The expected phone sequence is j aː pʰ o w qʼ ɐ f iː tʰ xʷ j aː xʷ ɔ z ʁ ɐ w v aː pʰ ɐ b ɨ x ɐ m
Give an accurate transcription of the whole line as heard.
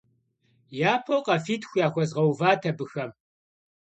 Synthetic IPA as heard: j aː pʰ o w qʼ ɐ f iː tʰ xʷ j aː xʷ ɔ z ʁ ɐ w v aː tʰ ɐ b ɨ x ɐ m